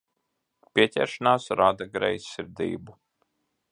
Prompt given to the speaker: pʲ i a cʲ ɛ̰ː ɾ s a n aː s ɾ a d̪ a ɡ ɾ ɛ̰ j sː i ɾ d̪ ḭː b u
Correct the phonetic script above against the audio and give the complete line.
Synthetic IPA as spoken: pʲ i ɛ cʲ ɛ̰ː ɾ ʃ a n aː s ɾ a d̪ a ɡ ɾ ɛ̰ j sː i ɾ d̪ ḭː b u